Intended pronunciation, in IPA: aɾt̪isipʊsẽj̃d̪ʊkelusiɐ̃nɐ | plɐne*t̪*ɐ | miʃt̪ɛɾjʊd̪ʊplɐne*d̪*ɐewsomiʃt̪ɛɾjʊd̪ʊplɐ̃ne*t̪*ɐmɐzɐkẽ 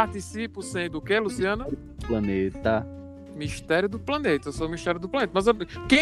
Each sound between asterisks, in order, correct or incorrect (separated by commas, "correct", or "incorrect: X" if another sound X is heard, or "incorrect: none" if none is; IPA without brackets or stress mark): correct, incorrect: t̪, correct